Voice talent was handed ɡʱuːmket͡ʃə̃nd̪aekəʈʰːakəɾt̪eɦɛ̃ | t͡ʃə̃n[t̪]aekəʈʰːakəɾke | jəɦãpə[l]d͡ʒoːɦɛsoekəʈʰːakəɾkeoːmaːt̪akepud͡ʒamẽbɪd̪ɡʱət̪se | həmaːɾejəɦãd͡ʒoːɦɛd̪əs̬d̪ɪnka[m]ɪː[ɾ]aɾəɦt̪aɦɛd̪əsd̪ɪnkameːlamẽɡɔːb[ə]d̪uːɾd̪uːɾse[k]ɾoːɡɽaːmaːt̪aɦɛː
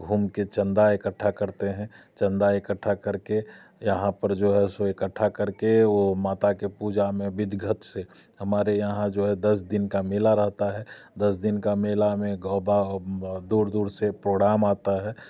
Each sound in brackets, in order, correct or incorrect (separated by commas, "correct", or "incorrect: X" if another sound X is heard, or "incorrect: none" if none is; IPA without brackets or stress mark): incorrect: d̪, incorrect: ɾ, correct, incorrect: l, incorrect: a, incorrect: p